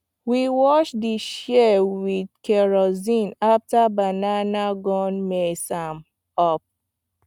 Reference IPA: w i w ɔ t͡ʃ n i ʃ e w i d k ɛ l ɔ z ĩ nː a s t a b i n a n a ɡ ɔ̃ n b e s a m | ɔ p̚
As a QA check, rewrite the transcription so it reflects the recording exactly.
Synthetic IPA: w i w ɔ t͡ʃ d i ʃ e w i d k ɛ ɹ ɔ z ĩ n a f t a b a n a n a ɡ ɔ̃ n m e s a m | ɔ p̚